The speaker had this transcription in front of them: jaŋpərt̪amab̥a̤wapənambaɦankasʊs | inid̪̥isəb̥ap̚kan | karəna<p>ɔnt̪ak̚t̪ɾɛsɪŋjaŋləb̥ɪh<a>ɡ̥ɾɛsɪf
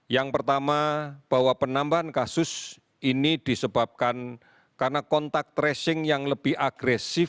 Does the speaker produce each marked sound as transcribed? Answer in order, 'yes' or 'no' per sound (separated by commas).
no, yes